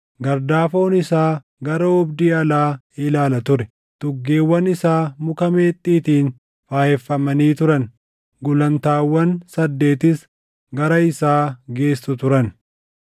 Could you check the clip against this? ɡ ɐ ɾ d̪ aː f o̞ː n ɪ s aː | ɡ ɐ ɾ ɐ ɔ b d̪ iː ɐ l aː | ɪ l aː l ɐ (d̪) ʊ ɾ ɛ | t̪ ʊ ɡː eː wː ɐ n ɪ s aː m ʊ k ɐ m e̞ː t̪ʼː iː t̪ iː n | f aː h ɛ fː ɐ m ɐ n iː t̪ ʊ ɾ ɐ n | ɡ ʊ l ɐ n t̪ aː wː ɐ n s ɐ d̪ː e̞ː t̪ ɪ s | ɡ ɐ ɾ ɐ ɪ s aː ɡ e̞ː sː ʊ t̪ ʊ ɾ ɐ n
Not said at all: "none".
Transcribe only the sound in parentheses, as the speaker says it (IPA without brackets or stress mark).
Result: t̪